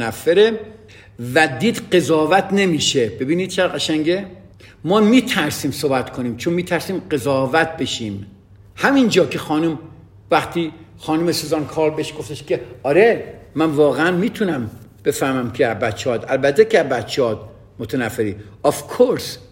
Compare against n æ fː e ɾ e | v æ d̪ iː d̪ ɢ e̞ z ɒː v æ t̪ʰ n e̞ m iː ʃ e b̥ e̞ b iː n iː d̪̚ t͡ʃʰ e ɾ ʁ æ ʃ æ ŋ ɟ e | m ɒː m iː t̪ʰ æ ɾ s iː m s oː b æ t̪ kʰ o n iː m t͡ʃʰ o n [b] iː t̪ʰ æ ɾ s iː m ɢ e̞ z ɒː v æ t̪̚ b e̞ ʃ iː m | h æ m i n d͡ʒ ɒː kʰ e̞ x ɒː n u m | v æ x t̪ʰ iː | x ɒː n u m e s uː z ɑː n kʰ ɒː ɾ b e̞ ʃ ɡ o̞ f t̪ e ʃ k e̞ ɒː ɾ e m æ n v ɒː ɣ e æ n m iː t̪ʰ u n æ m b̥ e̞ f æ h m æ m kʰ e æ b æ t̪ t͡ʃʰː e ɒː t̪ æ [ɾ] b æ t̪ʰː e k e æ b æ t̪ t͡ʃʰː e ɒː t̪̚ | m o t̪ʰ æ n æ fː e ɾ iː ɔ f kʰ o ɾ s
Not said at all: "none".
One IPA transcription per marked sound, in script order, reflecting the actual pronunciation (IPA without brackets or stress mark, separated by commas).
m, l